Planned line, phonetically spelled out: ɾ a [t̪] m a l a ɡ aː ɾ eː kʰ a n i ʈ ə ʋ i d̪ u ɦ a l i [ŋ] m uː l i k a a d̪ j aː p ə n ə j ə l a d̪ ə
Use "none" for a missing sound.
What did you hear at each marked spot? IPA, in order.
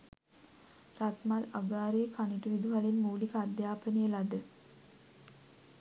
t̪, n

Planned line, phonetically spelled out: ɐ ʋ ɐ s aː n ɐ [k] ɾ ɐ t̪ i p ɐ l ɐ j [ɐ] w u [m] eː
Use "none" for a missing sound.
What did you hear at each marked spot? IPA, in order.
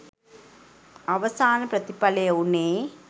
p, ɐ, n

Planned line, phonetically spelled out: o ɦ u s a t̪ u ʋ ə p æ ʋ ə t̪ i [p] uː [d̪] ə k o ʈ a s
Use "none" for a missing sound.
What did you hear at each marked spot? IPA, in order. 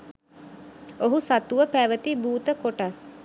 b, t̪

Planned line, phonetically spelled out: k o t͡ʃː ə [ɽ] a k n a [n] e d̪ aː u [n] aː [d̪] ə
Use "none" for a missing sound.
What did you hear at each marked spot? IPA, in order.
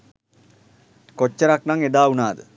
ɾ, ŋ, n, d̪

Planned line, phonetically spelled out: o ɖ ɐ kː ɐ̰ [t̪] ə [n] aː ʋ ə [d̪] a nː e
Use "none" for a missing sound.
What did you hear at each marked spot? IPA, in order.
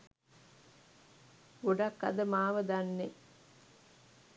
d̪, m, d̪

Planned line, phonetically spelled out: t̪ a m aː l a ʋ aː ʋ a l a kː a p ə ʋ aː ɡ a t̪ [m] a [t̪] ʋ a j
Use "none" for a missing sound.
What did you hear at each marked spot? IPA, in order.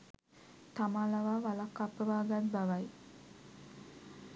b, none

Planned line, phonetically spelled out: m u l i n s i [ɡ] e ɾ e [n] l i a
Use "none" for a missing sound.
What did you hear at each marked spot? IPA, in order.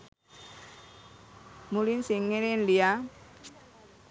ŋ, n

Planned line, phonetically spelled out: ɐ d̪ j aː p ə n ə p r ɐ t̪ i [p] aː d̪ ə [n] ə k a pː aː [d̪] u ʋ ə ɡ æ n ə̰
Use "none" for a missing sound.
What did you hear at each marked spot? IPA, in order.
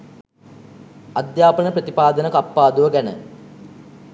p, n, d̪

